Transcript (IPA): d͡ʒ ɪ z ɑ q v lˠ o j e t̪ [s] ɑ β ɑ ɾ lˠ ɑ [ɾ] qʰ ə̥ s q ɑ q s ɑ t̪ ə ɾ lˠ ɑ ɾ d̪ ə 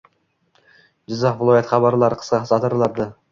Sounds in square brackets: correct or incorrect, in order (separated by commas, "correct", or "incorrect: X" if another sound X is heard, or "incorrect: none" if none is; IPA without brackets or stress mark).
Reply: incorrect: χ, correct